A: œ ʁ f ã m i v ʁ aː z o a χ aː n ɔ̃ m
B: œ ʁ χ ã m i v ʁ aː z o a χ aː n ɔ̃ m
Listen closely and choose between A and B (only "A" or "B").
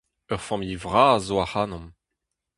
A